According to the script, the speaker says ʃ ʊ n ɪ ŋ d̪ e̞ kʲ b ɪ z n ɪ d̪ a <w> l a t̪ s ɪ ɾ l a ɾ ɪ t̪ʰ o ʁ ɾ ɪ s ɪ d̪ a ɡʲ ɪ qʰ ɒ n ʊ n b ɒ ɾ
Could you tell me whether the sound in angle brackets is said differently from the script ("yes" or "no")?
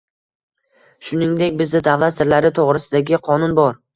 yes